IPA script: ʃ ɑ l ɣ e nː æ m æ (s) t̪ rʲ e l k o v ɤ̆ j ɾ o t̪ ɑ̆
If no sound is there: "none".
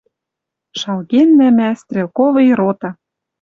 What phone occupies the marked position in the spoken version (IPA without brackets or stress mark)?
s